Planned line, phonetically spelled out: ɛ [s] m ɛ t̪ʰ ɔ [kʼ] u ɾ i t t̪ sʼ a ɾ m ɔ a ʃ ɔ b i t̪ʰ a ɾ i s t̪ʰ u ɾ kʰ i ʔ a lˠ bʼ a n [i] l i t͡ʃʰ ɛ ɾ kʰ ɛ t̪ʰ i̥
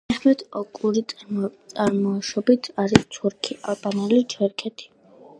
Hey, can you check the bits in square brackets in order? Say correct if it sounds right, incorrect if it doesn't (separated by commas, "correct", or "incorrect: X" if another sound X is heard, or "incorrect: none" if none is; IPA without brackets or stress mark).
incorrect: χ, correct, incorrect: ɛ